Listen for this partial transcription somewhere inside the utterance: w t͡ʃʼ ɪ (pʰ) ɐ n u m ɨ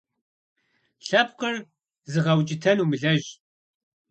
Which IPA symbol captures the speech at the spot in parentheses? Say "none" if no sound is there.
tʰ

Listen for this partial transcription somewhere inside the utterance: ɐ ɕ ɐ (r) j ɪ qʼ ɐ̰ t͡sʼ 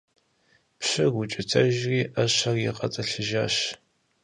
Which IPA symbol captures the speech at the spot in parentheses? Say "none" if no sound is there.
r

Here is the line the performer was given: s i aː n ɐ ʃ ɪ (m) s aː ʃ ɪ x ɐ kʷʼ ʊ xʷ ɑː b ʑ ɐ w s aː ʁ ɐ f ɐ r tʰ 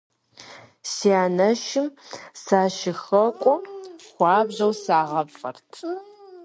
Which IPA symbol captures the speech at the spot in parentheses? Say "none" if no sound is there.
m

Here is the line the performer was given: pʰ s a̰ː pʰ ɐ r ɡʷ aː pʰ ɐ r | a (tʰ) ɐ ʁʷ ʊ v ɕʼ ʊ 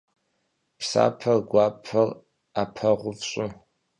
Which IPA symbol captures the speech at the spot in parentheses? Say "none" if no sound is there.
pʰ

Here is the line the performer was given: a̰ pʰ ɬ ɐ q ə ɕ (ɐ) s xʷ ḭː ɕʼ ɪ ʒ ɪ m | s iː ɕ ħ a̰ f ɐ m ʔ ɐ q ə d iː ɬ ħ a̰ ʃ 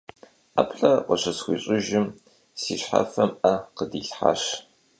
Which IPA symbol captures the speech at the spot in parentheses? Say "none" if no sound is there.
ɐ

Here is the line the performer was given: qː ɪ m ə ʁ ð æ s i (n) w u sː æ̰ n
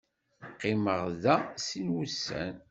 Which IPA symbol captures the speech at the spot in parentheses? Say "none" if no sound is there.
n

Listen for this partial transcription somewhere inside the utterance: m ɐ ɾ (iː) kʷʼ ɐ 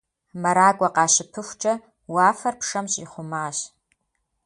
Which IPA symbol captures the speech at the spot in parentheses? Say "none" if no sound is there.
aː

